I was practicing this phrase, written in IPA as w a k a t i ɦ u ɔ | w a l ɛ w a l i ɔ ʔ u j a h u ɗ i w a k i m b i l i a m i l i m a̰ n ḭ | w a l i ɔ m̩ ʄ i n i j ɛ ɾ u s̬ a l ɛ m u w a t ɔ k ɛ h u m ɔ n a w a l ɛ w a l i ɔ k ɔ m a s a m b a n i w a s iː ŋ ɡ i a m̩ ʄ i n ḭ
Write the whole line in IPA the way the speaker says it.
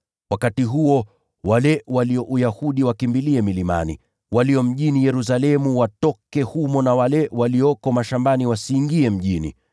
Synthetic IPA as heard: w a k a t i ɦ u ɔ | w a l ɛ w a l i ɔ ʔ u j a h u ɗ i w a k i m b i l i ɛ m i l i m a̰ n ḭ | w a l i ɔ m̩ ʄ i n i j ɛ ɾ u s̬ a l ɛ m u w a t ɔ k ɛ h u m ɔ n a w a l ɛ w a l i ɔ k ɔ m a ʃ a m b a n i w a s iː ŋ ɡ i ɛ m̩ ʄ i n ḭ